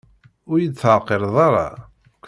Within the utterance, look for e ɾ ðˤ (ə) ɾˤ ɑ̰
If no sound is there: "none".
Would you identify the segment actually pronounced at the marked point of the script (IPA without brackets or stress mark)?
ɑ